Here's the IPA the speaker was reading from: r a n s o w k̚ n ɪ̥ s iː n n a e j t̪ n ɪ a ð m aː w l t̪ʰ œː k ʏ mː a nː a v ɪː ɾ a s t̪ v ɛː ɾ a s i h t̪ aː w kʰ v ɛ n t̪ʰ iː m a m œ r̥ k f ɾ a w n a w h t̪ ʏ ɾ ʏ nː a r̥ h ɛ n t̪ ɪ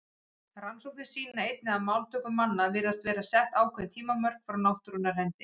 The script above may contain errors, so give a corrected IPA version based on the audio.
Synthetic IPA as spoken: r a n s o w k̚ n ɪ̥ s iː n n a e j t̪ n ɪ a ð m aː w l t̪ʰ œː k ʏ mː a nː a v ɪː ɾ a s t̪ v ɛː ɾ a s ɛ h t̪ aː w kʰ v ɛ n t̪ʰ iː m a m œ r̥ k f ɾ a w n a w h t̪ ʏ ɾ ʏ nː a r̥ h ɛ n t̪ ɪ